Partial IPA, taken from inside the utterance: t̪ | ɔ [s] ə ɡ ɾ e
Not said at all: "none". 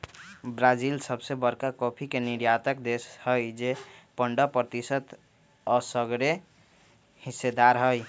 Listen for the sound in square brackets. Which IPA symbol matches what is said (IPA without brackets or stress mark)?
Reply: s